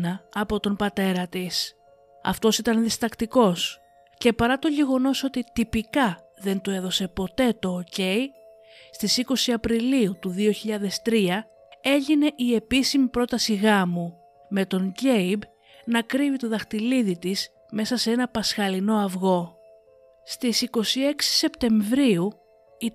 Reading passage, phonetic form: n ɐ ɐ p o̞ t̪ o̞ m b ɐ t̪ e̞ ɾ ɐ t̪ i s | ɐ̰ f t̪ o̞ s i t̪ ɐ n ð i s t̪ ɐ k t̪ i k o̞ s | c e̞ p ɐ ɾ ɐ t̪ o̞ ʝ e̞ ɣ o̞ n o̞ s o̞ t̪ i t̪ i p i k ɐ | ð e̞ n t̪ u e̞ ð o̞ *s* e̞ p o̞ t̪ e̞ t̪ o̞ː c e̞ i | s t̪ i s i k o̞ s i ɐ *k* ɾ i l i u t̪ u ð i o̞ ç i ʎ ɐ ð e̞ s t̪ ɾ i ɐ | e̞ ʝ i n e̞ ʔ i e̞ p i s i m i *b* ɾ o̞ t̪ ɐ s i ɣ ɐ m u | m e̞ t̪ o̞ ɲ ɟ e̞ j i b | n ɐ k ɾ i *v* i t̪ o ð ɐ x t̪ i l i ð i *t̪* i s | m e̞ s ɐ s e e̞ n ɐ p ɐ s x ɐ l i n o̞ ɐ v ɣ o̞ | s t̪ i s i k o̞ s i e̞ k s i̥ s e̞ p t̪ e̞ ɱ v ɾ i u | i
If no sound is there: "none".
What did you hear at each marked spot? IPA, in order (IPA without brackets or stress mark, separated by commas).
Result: s, p, p, v, t̪